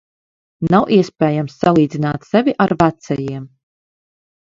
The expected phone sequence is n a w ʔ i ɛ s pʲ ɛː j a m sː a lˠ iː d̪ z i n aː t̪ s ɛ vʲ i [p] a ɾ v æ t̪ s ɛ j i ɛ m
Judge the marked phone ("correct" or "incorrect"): incorrect